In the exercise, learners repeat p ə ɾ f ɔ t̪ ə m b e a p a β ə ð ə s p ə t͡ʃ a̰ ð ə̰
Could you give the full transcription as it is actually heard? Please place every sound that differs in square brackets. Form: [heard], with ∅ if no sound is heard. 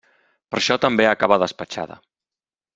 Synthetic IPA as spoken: p ə ɾ [ʃ] ɔ t̪ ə m b e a [k] a β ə ð ə s p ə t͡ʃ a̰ ð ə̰